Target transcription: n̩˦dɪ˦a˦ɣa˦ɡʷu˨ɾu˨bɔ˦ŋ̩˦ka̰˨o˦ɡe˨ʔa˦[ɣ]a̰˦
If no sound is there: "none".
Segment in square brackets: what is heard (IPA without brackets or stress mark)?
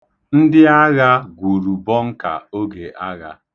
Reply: ɣ